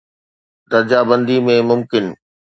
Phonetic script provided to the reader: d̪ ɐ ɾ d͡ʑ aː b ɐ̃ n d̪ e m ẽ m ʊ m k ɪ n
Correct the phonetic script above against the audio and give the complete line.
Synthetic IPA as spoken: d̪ ɐ ɾ d͡ʑ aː b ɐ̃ n d̪ i m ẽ m ʊ m k ɪ n